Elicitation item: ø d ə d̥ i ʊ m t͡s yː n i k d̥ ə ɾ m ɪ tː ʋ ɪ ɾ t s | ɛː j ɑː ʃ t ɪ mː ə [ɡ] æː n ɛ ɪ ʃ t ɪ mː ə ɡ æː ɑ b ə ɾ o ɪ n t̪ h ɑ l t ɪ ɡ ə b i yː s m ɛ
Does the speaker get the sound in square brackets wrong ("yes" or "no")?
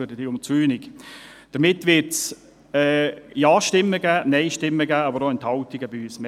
no